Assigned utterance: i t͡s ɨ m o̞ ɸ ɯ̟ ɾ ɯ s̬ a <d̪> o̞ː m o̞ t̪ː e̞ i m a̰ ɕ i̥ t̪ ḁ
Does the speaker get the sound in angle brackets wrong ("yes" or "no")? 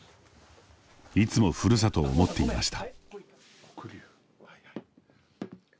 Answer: yes